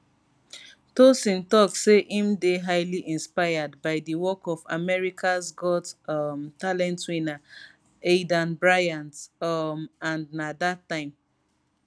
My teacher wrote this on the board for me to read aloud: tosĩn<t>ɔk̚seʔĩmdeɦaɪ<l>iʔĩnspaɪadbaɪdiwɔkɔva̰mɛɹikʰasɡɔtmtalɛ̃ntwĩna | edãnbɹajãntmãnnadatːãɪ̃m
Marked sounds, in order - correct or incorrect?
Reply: correct, correct

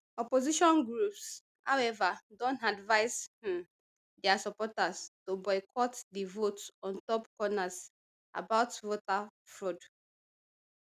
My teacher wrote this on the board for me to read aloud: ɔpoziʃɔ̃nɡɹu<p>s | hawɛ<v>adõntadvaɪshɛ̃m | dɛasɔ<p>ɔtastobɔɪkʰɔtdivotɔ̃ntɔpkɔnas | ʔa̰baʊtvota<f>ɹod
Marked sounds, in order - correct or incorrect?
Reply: correct, correct, correct, correct

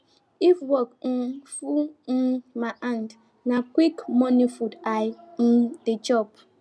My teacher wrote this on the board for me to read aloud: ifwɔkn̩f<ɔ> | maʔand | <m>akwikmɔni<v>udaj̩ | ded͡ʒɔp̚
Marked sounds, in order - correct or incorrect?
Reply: incorrect: u, incorrect: n, incorrect: f

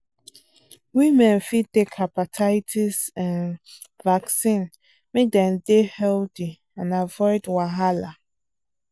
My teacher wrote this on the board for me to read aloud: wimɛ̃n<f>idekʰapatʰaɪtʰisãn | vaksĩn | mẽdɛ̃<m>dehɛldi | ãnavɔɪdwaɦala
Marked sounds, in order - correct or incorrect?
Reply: correct, incorrect: n

